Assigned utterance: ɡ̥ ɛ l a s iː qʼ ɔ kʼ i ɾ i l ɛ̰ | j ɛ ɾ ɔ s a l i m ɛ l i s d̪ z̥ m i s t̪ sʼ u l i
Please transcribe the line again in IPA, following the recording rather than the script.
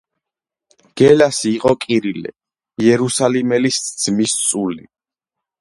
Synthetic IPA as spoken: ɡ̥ ɛ l a s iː qʼ ɔ kʼ i ɾ i l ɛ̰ | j ɛ ɾ u s a l i m ɛ l i s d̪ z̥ m i s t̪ sʼ u l i